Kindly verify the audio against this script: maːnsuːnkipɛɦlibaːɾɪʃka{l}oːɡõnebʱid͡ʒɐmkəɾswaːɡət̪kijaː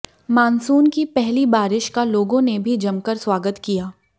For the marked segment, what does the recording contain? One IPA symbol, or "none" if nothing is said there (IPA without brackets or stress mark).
l